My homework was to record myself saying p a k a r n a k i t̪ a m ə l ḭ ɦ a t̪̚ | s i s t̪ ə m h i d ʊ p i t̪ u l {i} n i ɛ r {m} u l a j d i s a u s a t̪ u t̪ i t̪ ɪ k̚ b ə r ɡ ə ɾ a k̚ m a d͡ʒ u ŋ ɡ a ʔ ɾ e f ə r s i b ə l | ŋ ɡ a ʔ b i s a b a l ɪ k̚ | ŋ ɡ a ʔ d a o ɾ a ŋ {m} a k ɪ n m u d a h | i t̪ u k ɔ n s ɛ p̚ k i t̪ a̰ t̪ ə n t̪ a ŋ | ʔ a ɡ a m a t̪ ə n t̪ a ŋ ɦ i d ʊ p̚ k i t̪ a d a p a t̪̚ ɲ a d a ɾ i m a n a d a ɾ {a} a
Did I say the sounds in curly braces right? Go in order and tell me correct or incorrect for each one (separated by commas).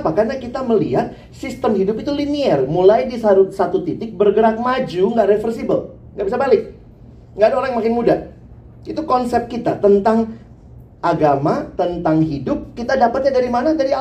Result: correct, correct, correct, incorrect